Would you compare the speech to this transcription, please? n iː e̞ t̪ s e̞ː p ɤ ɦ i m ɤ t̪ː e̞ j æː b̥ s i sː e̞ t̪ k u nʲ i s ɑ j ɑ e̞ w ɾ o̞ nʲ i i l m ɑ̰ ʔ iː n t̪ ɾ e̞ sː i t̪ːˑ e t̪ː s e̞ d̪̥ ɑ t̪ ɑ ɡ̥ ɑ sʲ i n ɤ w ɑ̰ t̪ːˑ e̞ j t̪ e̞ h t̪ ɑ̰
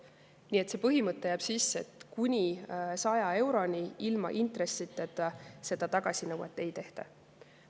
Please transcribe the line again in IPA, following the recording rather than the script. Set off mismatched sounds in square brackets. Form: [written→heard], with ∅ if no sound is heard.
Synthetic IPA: n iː e̞ t̪ s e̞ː p ɤ ɦ i m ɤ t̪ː e̞ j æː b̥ s i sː e̞ t̪ k u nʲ i s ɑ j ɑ e̞ w ɾ o̞ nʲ i i l m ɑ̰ ʔ [iː→i] n t̪ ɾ e̞ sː i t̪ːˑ e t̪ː s e̞ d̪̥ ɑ t̪ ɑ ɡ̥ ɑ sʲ i n ɤ w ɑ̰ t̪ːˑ e̞ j t̪ e̞ h t̪ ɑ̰

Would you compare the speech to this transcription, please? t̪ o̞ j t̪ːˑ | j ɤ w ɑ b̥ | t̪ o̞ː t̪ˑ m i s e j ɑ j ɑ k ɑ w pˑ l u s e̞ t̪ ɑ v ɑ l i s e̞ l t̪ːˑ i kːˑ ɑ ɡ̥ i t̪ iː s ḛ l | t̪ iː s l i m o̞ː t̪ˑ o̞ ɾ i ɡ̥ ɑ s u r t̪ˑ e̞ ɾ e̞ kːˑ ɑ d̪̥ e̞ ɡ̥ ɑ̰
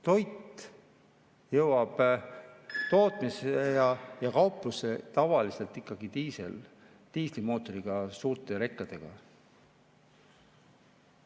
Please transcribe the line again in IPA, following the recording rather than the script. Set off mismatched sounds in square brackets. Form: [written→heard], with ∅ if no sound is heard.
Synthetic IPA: t̪ o̞ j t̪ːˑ | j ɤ w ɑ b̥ | t̪ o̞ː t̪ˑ m i s e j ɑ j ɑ k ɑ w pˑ l u s e̞ t̪ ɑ v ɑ l i s e̞ l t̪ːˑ i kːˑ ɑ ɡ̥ i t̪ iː s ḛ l | t̪ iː s l i m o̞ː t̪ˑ o̞ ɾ i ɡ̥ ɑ s [u→uː] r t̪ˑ e̞ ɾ e̞ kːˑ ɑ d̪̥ e̞ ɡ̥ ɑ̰

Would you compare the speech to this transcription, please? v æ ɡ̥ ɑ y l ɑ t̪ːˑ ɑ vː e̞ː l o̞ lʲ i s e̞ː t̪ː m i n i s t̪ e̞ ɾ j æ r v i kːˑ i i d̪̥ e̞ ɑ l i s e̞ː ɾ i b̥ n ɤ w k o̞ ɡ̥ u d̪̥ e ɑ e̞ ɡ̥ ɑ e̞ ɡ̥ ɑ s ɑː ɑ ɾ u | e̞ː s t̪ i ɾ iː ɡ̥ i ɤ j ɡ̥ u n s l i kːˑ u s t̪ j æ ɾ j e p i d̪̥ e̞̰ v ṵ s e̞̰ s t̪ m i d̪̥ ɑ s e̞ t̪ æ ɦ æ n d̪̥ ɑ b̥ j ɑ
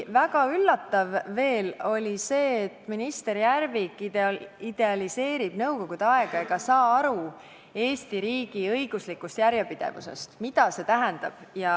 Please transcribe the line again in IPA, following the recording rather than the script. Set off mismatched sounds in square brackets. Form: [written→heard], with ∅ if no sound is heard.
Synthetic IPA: v æ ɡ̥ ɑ y [l→lː] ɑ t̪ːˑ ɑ vː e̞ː l o̞ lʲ i s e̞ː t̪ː m i n i s t̪ e̞ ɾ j æ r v i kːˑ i i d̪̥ e̞ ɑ l i s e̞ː ɾ i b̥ n ɤ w k o̞ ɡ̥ u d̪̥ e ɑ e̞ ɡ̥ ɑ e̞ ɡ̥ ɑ s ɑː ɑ ɾ u | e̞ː s t̪ i ɾ iː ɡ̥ i ɤ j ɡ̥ u [n→∅] s l i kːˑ u s t̪ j æ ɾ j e p i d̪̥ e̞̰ v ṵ s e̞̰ s t̪ m i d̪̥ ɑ s e̞ t̪ æ ɦ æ n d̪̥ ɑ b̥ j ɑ

